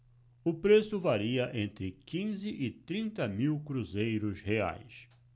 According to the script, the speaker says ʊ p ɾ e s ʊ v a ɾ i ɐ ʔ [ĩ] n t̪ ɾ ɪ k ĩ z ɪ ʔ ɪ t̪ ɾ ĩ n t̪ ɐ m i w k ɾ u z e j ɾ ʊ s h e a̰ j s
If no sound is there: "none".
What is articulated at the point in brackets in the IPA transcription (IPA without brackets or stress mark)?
ẽ